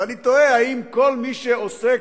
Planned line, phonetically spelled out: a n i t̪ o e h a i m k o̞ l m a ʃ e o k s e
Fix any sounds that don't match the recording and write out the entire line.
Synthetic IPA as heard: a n i t̪ o e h a i m k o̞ l m i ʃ e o s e